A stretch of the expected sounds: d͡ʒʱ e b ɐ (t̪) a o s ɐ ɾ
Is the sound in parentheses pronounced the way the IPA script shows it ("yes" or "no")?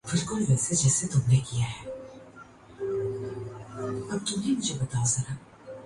yes